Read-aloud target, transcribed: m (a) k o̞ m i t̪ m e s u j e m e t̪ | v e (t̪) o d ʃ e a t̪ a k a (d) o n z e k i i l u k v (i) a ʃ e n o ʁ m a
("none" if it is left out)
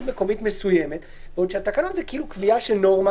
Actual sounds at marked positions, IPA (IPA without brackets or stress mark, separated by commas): e, none, n, i